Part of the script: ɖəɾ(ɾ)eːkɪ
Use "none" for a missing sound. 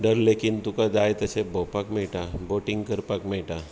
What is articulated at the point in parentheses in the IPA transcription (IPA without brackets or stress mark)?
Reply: l